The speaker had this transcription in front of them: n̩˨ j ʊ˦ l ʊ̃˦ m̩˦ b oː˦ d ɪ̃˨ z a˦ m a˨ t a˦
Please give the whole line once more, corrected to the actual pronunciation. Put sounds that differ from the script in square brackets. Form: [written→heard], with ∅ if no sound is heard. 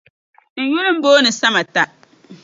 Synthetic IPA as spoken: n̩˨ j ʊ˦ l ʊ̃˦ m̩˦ b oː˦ [d→n] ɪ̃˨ [z→s] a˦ m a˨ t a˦